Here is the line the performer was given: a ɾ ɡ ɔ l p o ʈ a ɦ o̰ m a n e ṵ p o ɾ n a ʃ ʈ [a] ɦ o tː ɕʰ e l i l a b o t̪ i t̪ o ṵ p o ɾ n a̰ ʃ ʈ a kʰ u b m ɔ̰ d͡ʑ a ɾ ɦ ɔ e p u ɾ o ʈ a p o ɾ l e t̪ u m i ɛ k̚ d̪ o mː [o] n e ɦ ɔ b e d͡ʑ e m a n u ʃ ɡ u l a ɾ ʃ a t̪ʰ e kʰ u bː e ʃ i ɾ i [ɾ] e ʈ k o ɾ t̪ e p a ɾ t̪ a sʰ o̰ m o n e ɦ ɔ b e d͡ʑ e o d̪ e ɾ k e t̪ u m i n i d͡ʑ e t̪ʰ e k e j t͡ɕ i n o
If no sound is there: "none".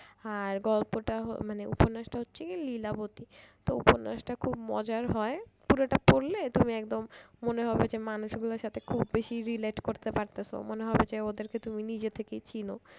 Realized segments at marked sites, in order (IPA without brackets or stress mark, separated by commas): a, o, l